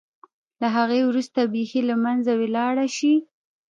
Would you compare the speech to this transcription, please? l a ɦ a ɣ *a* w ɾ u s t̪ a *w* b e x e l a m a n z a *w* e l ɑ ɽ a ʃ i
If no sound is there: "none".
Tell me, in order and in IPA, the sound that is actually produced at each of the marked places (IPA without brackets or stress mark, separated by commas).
e, none, w